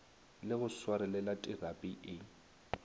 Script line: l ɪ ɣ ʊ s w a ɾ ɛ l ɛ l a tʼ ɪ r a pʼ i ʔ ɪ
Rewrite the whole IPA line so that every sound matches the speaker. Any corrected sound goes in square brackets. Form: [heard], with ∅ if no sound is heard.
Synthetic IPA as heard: l ɪ ɣ ʊ s w a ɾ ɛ l ɛ l a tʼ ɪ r a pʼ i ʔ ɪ